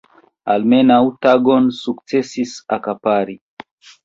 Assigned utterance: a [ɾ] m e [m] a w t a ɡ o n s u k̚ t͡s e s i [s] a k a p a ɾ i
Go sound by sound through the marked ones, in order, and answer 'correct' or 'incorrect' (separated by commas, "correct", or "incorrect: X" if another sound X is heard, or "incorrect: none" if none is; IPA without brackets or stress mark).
incorrect: l, incorrect: n, correct